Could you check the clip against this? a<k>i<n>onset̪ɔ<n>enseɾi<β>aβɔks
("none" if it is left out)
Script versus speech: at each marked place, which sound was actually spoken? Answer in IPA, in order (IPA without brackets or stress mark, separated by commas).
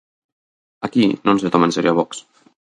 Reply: k, n, m, none